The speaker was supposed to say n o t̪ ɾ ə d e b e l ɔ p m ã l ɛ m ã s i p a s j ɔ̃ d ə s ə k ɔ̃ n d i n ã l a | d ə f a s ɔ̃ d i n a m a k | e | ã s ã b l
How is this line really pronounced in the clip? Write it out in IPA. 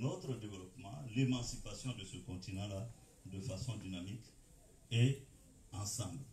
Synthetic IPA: n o t̪ ɾ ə d e v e l ɔ p m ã l e m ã s i p a s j ɔ̃ d ə s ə k ɔ̃ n t i n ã l a | d ə f a s ɔ̃ d i n a m i k | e | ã s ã b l